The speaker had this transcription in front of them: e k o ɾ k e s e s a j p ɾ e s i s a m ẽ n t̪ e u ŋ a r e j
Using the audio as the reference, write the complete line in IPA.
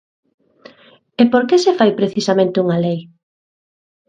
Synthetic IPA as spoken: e p o ɾ k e s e f a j p ɾ e θ i s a m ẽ n t̪ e u ŋ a l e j